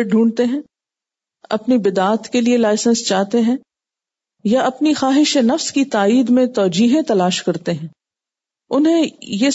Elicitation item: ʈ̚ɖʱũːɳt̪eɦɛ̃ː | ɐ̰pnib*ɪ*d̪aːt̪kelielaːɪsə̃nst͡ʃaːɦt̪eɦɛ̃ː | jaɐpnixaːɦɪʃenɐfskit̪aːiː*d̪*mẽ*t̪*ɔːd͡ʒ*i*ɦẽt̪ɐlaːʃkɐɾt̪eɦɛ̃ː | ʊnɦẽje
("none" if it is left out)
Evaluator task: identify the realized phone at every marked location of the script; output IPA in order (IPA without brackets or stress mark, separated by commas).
ɪ, d̪, t̪, iː